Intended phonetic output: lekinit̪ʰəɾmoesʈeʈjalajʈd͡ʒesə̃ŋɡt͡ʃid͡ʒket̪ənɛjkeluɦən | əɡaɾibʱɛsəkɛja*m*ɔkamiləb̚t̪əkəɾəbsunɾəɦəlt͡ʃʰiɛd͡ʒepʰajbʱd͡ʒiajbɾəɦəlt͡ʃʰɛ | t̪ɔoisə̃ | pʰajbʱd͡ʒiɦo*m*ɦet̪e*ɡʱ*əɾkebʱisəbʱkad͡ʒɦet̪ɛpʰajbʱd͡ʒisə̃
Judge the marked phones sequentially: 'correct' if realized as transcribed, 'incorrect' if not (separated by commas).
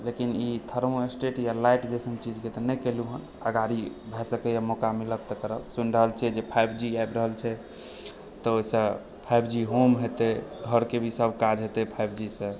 correct, correct, correct